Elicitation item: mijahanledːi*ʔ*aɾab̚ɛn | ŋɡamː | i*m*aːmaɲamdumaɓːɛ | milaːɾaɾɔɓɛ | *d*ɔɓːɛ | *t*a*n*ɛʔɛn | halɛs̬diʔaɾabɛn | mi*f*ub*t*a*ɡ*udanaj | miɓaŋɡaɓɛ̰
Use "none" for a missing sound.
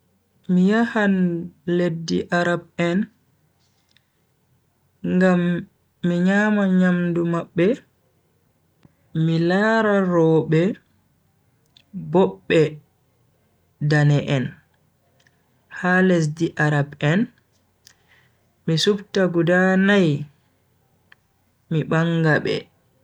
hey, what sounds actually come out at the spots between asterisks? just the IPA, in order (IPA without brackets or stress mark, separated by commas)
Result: ʔ, ɲ, b, d, n, s, t, ɡ